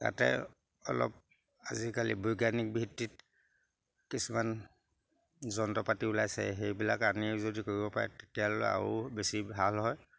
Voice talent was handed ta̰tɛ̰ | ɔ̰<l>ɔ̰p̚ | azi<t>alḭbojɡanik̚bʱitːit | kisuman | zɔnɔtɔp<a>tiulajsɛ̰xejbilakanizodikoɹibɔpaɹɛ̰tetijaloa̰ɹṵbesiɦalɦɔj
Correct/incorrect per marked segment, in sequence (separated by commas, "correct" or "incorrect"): correct, incorrect, correct